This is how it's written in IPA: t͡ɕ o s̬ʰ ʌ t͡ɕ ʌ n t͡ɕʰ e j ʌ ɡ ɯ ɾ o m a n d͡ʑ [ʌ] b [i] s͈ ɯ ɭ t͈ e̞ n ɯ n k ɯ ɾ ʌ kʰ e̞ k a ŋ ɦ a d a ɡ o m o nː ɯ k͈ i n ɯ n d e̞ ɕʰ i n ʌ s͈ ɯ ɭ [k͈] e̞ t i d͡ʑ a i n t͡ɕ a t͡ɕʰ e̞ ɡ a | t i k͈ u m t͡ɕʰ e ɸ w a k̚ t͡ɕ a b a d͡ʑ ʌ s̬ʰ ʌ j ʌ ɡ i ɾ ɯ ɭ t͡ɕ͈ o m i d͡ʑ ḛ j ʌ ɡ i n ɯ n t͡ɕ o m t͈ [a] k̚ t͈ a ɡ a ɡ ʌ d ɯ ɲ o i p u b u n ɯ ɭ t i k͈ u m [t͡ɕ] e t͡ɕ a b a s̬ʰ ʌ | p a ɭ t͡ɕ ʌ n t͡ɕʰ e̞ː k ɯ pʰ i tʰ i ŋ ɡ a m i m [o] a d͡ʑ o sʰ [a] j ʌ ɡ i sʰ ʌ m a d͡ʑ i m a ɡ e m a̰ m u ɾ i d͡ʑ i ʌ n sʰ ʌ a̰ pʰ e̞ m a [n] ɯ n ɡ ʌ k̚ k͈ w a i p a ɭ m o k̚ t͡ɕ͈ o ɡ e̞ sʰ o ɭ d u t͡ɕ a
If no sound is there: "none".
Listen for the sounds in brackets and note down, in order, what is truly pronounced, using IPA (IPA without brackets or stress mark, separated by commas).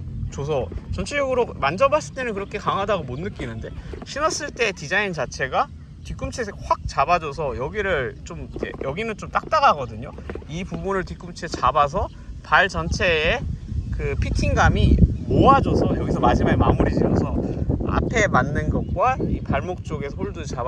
ʌ, a, t͈, a, t͡ɕʰ, o, ʌ, nː